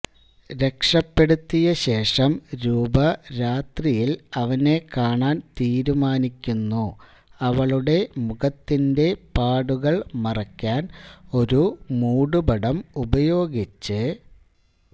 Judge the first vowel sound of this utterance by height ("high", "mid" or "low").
mid